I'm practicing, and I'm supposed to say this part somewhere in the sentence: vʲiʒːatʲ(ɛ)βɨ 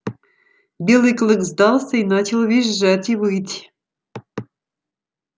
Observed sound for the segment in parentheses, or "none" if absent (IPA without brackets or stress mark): i